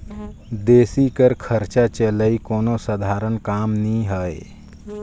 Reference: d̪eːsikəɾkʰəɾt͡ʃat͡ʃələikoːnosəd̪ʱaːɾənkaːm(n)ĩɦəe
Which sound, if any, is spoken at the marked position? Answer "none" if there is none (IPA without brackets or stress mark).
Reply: n